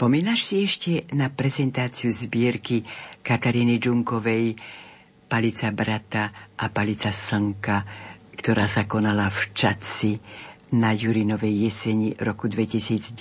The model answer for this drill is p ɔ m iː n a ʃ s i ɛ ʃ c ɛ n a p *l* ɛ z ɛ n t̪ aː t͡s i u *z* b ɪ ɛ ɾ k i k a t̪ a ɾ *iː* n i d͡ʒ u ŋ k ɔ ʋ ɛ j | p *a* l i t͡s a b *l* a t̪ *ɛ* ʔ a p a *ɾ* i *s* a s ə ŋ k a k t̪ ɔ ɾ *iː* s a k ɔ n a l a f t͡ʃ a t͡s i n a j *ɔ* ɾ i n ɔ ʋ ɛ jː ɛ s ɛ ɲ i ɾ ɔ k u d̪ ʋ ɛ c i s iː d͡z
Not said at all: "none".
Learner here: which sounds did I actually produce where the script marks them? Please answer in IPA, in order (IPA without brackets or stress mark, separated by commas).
ɾ, z, iː, a, ɾ, a, l, t͡s, aː, u